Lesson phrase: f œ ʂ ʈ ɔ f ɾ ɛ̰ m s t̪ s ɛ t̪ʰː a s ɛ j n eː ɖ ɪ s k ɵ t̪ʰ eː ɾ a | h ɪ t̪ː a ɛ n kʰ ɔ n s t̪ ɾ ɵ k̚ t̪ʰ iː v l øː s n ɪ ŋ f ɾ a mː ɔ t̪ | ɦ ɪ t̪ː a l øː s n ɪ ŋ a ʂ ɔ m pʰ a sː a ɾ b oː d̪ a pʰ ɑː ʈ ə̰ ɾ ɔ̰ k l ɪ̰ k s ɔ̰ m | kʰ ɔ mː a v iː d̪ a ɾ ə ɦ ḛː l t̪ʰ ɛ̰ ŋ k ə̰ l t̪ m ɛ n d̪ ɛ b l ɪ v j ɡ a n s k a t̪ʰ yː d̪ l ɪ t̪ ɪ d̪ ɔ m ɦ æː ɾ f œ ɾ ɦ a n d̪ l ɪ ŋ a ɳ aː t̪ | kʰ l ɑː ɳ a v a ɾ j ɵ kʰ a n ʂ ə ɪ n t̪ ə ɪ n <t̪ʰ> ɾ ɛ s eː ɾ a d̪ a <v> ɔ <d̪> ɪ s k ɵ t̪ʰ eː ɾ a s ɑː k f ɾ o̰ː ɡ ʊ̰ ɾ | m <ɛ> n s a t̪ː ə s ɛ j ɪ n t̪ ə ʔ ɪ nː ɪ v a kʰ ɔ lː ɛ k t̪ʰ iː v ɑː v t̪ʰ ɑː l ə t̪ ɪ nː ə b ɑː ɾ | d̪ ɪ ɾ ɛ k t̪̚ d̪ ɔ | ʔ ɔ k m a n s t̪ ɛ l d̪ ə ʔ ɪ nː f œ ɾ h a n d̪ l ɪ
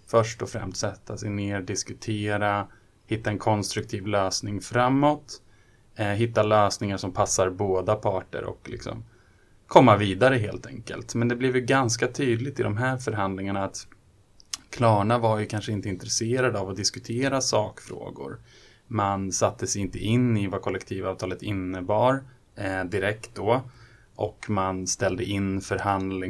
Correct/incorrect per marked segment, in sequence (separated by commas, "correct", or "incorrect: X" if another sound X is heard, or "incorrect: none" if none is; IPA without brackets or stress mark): incorrect: t̪, correct, correct, incorrect: a